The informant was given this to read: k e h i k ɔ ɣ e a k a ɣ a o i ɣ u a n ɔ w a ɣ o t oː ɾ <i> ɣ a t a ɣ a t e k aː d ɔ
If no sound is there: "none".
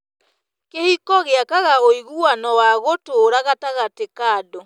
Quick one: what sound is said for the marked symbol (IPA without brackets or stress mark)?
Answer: a